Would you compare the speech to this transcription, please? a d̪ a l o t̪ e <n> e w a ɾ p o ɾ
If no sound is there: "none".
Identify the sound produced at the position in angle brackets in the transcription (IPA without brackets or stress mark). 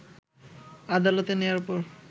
n